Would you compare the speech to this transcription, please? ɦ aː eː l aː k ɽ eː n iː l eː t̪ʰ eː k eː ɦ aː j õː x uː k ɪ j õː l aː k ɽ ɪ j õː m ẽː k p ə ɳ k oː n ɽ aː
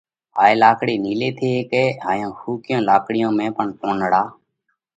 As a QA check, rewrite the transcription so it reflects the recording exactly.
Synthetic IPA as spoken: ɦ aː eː l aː k ɽ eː n iː l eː t̪ʰ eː k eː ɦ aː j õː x uː k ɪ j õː l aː k ɽ ɪ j õː m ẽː p ə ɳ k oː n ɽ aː